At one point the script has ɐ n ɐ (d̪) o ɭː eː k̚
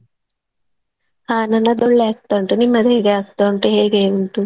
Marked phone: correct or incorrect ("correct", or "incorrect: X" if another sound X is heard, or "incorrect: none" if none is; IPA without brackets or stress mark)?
correct